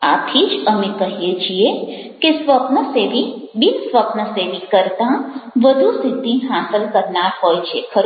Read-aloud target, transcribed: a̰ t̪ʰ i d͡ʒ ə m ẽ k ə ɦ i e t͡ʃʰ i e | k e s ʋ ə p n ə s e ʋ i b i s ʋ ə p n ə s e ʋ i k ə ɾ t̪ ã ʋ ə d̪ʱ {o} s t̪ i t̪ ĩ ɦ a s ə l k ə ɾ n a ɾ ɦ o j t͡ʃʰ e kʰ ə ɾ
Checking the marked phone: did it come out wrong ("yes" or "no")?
yes